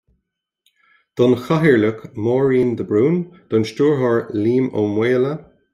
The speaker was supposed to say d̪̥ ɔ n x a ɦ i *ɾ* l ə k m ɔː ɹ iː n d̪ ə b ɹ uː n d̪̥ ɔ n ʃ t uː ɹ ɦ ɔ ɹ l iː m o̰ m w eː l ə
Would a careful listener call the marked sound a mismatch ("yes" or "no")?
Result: yes